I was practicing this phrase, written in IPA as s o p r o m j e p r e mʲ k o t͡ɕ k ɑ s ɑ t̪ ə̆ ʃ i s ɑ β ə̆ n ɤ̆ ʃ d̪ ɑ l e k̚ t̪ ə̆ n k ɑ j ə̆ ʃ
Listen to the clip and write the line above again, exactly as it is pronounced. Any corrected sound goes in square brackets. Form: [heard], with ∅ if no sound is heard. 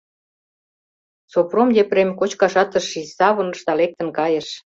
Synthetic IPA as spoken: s o p r o m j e p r e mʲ k o t͡ɕ k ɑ [ʃ] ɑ t̪ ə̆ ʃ i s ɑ β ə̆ n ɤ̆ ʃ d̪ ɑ l e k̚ t̪ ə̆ n k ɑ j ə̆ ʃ